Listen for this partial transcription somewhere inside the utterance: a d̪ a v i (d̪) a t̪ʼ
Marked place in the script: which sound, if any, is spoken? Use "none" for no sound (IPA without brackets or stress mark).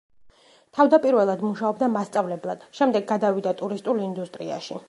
d̪